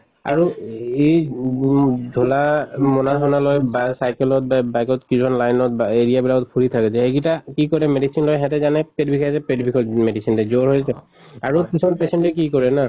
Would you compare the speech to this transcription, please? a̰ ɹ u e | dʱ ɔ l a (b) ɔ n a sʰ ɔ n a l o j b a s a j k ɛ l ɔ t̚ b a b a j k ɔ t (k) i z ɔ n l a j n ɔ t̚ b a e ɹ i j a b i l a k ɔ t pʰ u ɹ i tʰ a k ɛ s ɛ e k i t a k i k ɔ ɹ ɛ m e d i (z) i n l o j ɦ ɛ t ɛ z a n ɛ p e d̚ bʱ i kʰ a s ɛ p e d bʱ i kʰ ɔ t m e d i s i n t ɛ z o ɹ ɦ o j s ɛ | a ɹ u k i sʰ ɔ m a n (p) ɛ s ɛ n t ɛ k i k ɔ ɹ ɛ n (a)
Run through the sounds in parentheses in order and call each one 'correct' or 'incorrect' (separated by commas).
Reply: incorrect, correct, incorrect, correct, correct